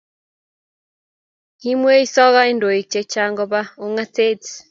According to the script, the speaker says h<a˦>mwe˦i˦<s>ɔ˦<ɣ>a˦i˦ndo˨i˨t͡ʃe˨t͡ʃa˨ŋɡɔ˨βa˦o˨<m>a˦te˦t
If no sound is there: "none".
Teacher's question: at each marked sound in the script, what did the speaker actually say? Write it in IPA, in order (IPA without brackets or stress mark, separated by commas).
i˦, s, ɣ, ŋ